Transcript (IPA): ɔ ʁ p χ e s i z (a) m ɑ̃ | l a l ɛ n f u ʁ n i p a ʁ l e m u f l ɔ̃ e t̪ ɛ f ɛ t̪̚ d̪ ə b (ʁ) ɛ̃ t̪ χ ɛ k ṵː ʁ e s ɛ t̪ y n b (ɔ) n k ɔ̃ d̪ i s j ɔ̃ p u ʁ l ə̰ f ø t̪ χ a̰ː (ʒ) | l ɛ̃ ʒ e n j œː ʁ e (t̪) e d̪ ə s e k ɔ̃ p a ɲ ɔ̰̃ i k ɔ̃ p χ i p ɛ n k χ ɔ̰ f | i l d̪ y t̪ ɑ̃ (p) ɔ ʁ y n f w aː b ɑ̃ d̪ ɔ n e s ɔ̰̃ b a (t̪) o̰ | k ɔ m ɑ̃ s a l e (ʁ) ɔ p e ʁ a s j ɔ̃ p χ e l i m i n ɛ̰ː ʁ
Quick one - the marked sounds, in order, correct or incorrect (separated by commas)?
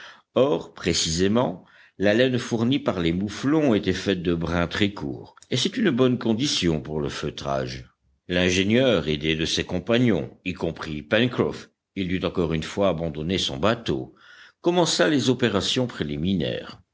incorrect, correct, correct, correct, incorrect, incorrect, correct, incorrect